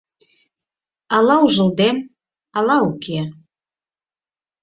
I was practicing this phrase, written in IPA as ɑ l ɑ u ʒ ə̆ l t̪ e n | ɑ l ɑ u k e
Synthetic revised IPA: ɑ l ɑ u ʒ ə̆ l d̪ e m | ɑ l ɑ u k e